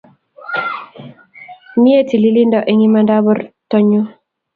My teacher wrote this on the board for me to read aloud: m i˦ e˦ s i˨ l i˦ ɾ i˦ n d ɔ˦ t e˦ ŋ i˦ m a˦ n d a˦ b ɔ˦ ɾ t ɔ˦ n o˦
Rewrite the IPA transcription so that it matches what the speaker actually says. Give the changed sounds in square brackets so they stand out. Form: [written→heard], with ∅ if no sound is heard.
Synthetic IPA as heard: m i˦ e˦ [s→t] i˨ l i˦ [ɾ→l] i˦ n d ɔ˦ [t→ʔ] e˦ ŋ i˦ m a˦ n d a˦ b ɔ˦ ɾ t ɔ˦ [n→ɲ] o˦